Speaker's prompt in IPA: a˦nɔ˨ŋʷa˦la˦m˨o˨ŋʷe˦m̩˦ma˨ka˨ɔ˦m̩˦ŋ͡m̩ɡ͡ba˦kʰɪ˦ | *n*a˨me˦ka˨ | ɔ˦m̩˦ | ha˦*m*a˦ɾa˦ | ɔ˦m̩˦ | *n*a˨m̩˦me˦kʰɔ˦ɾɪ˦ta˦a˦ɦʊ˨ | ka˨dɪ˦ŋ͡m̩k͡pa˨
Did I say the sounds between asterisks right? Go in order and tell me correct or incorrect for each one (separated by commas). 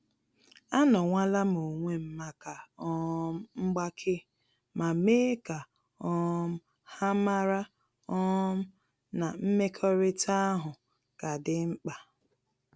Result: incorrect, correct, correct